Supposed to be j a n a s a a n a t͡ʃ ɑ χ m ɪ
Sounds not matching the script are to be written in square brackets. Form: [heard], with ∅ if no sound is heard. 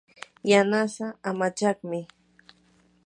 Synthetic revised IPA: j a n a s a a [m] a t͡ʃ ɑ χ m ɪ